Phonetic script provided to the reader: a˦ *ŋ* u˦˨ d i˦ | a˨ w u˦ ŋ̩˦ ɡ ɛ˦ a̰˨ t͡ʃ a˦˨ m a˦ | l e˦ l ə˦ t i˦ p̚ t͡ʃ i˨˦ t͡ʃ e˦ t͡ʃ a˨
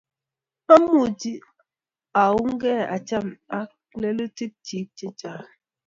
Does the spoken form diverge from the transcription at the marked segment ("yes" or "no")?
yes